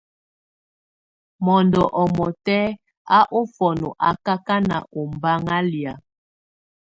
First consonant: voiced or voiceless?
voiced